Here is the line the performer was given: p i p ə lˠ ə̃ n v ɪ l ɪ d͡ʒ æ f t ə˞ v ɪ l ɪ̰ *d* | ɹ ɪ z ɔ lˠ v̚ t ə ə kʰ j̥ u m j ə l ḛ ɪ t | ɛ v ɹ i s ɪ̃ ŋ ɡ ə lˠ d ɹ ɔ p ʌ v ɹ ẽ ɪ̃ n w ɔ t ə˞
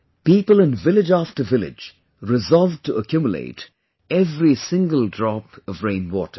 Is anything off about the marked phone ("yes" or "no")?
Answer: yes